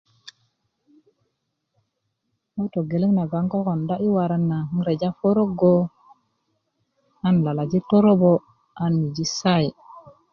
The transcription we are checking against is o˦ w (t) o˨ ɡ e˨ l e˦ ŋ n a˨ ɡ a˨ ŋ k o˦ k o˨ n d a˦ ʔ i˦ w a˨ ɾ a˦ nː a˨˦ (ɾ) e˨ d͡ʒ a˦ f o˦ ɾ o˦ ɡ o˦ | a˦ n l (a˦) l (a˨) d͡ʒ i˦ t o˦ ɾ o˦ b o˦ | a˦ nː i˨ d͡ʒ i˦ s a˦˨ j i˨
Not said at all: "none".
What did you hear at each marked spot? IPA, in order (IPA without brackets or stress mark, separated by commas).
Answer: t, ɾ, a˨, a˨